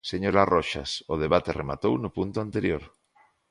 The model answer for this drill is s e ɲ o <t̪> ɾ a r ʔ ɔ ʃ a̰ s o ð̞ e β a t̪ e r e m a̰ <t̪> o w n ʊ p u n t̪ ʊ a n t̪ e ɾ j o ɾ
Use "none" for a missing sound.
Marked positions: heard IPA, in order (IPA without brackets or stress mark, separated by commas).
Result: none, t̪